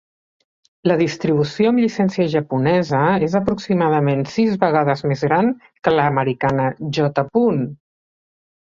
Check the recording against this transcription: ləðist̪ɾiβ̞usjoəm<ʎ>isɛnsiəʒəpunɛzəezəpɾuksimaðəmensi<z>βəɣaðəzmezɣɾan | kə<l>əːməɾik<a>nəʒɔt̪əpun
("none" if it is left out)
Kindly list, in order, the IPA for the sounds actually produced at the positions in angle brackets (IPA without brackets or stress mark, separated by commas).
ʎ, z, l, a